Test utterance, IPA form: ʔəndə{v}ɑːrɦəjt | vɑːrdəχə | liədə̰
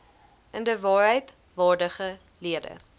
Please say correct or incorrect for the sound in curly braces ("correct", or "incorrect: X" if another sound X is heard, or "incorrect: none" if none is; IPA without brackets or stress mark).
correct